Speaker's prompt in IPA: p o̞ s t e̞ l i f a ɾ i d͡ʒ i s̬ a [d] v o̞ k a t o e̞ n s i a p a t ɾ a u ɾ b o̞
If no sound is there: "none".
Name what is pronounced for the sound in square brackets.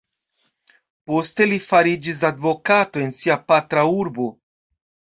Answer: d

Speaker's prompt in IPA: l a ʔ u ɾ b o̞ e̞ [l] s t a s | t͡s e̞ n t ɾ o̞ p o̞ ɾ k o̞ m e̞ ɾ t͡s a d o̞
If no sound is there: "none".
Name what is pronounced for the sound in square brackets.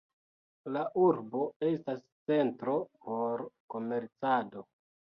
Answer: none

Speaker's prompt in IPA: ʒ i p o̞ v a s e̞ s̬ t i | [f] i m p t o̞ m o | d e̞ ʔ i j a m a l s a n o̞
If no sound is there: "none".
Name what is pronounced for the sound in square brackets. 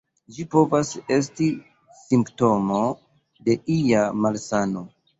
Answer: s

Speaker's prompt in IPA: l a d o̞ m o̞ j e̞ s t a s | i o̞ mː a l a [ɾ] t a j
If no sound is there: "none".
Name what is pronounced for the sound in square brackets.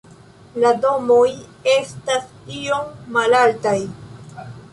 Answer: l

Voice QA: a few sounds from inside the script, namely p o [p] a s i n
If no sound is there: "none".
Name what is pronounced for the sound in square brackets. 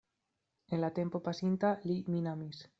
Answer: p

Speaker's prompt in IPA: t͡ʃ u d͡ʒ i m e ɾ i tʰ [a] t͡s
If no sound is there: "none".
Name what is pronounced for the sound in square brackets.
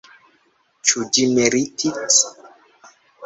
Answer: i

